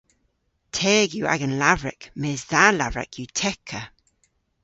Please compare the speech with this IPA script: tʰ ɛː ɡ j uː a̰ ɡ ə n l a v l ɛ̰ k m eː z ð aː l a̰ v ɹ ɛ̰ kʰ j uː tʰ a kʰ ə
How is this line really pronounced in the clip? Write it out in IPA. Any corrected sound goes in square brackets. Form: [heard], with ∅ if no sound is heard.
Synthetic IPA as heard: tʰ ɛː ɡ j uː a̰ ɡ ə n l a v [ɹ] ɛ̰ k m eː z ð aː l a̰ v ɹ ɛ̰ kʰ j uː tʰ [ɛ] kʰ ə